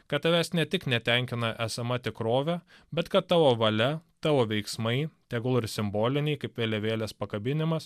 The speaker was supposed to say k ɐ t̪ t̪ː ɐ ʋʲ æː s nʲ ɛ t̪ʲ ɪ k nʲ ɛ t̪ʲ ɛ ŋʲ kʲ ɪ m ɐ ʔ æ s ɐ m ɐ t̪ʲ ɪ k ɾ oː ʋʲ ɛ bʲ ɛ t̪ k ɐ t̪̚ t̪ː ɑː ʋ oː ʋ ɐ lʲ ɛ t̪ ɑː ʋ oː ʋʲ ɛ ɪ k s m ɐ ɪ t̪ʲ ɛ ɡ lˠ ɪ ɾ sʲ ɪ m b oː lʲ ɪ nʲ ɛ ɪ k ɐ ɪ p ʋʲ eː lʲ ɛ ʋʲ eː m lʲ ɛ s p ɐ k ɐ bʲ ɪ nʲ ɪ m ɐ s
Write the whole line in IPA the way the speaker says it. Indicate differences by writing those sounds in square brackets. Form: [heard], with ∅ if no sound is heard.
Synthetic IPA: k ɐ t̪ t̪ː ɐ ʋʲ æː s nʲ ɛ t̪ʲ ɪ k nʲ ɛ t̪ʲ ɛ ŋʲ kʲ ɪ [n] ɐ ʔ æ s ɐ m ɐ t̪ʲ ɪ k ɾ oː ʋʲ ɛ bʲ ɛ t̪ k ɐ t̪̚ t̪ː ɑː ʋ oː ʋ ɐ lʲ ɛ t̪ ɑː ʋ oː ʋʲ ɛ ɪ k s m ɐ ɪ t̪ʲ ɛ ɡ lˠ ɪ ɾ sʲ ɪ m b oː lʲ ɪ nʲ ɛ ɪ k ɐ ɪ p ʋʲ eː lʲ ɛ ʋʲ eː [∅] lʲ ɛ s p ɐ k ɐ bʲ ɪ nʲ ɪ m ɐ s